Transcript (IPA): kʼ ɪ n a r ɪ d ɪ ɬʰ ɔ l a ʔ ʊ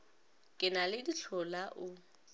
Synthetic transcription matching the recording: kʼ ɪ n a l ɪ d i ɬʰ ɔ l a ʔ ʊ